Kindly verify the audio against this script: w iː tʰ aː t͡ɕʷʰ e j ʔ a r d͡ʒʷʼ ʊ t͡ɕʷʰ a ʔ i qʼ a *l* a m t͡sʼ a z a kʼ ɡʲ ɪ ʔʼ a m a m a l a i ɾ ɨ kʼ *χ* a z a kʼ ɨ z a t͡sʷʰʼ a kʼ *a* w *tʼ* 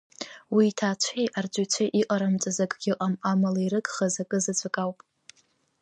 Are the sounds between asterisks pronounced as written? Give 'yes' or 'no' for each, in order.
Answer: no, yes, yes, no

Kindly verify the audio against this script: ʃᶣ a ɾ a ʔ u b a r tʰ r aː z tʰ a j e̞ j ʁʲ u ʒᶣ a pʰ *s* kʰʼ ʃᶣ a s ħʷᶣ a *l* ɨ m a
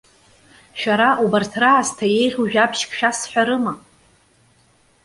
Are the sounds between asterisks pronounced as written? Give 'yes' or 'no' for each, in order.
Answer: no, no

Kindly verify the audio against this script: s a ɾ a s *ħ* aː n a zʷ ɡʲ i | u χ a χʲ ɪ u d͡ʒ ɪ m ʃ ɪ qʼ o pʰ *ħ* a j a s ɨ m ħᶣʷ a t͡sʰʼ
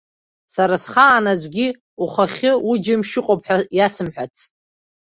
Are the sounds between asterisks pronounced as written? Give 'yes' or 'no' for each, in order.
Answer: no, yes

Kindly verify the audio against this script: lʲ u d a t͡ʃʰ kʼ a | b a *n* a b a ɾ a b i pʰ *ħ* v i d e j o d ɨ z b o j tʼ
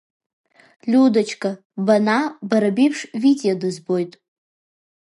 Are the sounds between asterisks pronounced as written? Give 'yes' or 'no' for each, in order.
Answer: yes, no

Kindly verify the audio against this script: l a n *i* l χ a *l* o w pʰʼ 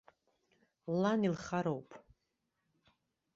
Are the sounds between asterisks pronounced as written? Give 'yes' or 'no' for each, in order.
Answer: yes, no

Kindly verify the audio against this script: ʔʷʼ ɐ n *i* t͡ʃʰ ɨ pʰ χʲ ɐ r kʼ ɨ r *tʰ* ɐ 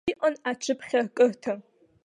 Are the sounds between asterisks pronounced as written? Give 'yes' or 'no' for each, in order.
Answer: no, yes

